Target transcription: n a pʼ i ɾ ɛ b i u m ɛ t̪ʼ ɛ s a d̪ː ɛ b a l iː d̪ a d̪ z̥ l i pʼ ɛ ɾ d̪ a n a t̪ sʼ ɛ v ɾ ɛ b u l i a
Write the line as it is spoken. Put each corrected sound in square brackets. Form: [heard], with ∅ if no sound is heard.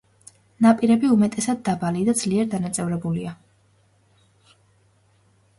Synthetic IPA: n a pʼ i ɾ ɛ b i u m ɛ t̪ʼ ɛ s a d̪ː [a] b a l [i] d̪ a d̪ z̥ l i [∅] ɛ ɾ d̪ a n a t̪ sʼ ɛ v ɾ ɛ b u l i a